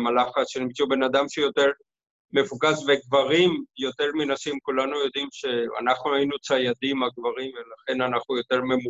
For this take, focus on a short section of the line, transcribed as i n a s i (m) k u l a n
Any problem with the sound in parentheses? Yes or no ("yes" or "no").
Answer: no